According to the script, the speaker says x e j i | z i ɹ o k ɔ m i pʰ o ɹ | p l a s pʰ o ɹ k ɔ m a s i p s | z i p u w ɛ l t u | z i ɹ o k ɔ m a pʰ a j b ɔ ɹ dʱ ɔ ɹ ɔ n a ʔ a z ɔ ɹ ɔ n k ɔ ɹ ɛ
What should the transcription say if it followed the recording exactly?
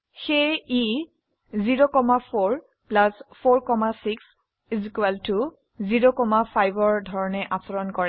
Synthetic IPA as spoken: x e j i | z i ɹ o k ɔ m a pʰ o ɹ | p l a s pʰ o ɹ k ɔ m a s i k s | z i k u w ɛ l t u | z i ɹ o k ɔ m a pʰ a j b ɔ ɹ dʱ ɔ ɹ ɔ n ɛ ʔ a s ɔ ɹ ɔ n k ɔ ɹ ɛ